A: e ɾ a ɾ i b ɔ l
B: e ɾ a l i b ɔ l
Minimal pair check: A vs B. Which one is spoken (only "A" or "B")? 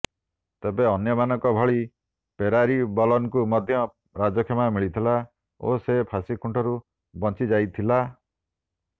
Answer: A